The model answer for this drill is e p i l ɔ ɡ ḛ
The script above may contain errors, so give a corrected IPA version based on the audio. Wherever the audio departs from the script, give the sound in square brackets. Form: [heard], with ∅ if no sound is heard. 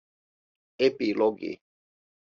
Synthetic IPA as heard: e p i l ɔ ɡ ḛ